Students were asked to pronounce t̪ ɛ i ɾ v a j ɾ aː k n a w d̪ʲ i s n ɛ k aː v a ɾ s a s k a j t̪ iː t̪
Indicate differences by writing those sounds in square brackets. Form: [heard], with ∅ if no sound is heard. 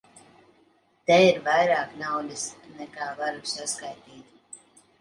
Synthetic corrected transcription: t̪ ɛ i ɾ v a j ɾ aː k n a w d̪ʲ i s n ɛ k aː v a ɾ s a s k a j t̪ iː t̪